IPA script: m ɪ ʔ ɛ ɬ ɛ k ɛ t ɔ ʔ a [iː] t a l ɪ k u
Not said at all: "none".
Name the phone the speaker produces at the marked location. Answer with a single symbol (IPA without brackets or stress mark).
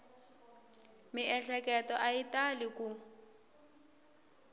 i